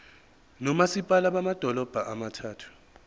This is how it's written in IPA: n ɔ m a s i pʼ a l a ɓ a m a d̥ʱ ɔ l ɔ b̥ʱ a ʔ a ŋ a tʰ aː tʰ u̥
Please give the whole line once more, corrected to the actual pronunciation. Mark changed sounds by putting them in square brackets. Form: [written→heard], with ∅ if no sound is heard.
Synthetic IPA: n ɔ m a s i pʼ a l a ɓ a m a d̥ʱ ɔ l ɔ b̥ʱ a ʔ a [ŋ→m] a tʰ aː tʰ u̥